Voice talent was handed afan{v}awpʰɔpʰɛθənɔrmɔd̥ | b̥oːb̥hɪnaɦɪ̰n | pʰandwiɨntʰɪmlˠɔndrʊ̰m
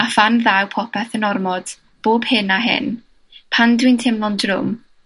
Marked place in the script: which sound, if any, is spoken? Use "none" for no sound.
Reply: ð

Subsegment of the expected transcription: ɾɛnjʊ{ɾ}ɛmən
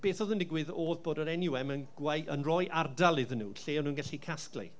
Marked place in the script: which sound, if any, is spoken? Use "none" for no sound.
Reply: none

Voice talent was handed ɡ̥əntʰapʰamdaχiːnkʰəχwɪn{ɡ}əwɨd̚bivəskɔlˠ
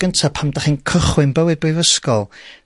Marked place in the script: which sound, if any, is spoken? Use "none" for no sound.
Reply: b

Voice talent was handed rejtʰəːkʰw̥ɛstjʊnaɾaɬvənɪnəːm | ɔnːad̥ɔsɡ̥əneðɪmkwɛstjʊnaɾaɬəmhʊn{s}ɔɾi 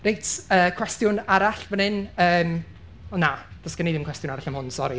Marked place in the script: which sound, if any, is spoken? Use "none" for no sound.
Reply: s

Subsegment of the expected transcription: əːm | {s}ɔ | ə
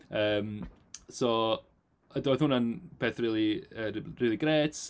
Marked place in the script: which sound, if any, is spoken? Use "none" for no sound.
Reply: s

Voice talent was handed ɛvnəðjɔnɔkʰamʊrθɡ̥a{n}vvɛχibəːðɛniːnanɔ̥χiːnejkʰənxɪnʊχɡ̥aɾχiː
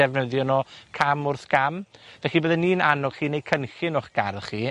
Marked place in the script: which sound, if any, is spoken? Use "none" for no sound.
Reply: m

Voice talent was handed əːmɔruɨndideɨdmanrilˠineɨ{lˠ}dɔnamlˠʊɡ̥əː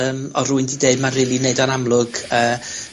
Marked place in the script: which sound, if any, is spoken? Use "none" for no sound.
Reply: none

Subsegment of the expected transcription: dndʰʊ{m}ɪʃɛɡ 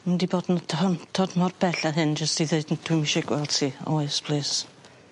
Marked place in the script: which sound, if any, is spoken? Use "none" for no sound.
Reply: m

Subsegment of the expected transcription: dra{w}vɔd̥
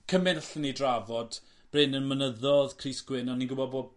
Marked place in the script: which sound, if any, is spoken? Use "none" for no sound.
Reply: none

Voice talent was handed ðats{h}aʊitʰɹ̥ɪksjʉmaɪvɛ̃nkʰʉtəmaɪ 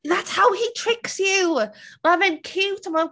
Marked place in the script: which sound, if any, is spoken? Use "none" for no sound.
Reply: h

